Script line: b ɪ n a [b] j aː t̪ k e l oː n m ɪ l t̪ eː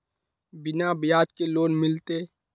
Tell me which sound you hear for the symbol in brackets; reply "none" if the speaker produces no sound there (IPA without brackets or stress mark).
b